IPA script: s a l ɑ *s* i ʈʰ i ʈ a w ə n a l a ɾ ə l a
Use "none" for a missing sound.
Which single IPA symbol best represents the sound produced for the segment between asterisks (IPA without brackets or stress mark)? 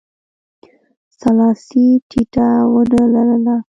s